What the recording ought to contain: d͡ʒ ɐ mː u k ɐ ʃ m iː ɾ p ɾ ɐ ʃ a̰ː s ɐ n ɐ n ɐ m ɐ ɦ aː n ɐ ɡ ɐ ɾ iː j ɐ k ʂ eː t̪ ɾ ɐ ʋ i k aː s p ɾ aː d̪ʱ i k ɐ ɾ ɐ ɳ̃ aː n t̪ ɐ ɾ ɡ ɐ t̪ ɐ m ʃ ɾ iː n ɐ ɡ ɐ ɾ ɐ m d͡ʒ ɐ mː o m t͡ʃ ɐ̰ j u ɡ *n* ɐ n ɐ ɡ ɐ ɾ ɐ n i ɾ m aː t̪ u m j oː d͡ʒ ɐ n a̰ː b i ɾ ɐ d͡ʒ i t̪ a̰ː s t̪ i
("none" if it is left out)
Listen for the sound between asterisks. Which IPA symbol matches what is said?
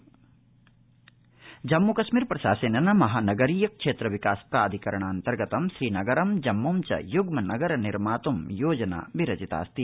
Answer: m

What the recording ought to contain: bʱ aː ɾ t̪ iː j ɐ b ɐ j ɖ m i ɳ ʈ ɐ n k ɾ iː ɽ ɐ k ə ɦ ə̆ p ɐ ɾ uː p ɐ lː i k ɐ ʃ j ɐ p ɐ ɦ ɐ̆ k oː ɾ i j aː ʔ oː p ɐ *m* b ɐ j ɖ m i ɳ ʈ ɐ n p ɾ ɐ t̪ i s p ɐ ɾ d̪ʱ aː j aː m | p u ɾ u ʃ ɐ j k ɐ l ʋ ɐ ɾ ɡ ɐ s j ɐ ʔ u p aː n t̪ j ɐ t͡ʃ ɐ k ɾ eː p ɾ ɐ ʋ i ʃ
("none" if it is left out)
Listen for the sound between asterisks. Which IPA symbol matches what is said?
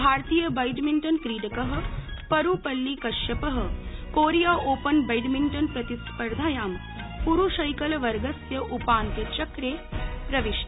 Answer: n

